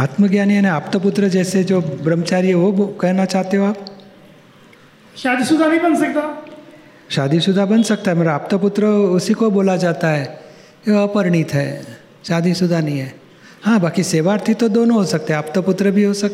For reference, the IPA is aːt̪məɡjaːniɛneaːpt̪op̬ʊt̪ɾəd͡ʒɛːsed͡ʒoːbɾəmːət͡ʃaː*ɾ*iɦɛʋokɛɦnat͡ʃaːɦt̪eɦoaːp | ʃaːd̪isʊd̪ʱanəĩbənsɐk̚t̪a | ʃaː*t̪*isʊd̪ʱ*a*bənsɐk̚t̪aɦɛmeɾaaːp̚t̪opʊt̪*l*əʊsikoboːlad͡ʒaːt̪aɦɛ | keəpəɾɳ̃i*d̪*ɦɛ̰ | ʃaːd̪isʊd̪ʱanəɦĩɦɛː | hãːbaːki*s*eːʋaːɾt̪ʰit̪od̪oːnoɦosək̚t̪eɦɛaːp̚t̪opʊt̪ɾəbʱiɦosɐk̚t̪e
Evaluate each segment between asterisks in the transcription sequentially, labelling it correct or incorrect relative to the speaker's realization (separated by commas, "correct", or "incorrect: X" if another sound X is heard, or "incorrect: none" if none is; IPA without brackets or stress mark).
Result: correct, incorrect: d̪, correct, incorrect: ɾ, incorrect: t̪, correct